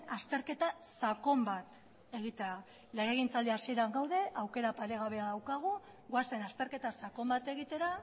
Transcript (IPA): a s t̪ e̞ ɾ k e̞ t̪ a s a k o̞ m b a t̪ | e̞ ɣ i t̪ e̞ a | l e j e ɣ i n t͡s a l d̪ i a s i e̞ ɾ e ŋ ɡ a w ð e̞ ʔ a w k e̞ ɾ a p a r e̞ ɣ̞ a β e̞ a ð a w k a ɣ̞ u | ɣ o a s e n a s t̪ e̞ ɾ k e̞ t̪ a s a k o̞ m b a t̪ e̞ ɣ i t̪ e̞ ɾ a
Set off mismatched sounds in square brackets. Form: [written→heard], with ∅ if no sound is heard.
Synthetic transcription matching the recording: a s t̪ e̞ ɾ k e̞ t̪ a s a k o̞ m b a t̪ | e̞ ɣ i t̪ e̞ a | l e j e ɣ i n t͡s a l d̪ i a s i e̞ ɾ [e→a] ŋ ɡ a w ð e̞ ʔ a w k e̞ ɾ a p a [r→ɾ] e̞ ɣ̞ a β e̞ a ð a w k a ɣ̞ u | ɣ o a s e n a s t̪ e̞ ɾ k e̞ t̪ a s a k o̞ m b a t̪ e̞ ɣ i t̪ e̞ ɾ a